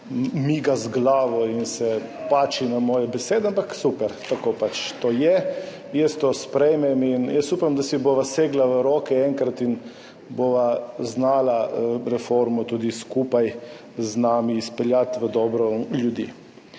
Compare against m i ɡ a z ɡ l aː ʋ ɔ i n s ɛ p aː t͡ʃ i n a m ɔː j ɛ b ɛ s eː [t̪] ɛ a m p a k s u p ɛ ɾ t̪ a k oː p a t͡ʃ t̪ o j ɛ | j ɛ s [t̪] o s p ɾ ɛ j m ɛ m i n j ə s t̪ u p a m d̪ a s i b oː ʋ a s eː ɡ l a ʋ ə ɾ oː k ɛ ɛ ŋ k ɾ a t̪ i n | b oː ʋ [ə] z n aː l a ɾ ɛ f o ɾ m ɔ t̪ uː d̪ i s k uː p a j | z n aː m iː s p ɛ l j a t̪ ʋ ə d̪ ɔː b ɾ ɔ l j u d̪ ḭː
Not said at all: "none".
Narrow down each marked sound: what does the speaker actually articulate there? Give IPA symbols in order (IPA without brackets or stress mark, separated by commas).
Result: d̪, t̪, a